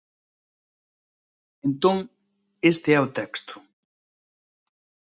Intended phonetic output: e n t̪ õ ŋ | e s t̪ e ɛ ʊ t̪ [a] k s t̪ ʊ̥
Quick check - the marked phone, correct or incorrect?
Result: incorrect